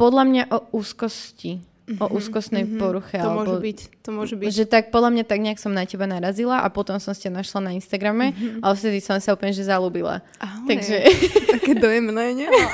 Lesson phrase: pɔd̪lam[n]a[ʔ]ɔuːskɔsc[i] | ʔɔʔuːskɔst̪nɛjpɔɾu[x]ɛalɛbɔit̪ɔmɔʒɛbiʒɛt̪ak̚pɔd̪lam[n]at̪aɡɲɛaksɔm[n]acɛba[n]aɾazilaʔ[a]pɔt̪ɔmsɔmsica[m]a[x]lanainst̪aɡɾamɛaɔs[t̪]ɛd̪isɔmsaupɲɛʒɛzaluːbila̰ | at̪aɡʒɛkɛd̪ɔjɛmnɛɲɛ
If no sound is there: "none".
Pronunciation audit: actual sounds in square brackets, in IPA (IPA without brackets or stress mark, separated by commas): ɲ, ʔ, i, x, ɲ, n, n, a, n, ʃ, t̪